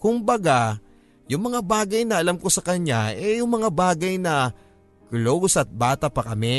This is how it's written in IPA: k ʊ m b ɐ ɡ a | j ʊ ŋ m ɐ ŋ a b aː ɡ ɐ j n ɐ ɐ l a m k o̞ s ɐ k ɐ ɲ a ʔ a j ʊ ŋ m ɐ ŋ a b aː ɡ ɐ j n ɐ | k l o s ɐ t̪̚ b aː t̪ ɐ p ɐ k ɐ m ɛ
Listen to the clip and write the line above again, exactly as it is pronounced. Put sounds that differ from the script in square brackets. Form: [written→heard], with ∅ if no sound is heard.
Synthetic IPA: k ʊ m b ɐ ɡ a | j ʊ ŋ m ɐ ŋ a b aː ɡ ɐ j n ɐ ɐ l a m k o̞ s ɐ k ɐ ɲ a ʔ [a→ɛ] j ʊ ŋ m ɐ ŋ a b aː ɡ ɐ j n ɐ | k l o s ɐ t̪̚ b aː t̪ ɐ p ɐ k ɐ m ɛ